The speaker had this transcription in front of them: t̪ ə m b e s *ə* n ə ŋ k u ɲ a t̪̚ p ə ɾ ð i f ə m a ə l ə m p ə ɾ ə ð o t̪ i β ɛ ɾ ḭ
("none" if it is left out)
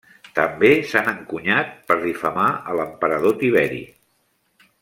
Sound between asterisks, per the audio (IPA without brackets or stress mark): a